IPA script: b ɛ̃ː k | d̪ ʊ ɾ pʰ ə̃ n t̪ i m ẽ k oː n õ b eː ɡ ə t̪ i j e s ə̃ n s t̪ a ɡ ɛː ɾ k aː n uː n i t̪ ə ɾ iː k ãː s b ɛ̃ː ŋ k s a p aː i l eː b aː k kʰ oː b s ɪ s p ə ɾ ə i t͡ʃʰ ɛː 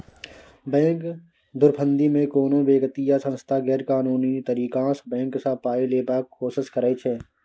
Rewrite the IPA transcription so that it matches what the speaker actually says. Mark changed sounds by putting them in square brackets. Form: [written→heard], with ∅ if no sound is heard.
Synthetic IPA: b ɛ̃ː k | d̪ ʊ ɾ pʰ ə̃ n [t̪→d̪] i m ẽ k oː n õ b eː ɡ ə t̪ i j [e→a] s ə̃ n s [t̪→t̪ʰ] a ɡ ɛː ɾ k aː n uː n i t̪ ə ɾ iː k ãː s b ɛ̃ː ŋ k s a p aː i l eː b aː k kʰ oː [b→∅] s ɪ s [p→k] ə ɾ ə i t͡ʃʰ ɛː